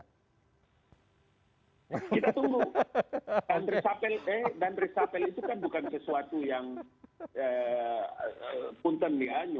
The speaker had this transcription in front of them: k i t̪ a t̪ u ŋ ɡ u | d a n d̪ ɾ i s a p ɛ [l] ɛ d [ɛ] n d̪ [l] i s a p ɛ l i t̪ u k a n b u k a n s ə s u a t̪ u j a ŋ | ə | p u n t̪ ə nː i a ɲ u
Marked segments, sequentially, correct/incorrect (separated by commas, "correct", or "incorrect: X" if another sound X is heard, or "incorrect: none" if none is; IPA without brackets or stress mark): correct, incorrect: a, incorrect: ɾ